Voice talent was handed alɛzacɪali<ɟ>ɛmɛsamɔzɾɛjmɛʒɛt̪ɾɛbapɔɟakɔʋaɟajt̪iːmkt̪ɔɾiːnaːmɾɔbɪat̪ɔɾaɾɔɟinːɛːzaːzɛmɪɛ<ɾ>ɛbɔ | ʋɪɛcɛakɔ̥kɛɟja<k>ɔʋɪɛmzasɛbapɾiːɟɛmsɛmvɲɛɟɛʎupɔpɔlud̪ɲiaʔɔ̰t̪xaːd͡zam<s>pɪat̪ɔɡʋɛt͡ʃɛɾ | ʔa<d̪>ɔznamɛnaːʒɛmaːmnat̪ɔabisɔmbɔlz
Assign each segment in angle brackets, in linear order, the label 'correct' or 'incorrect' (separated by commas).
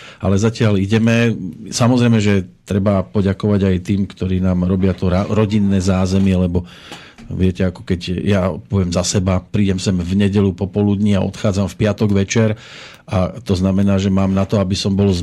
correct, incorrect, incorrect, incorrect, incorrect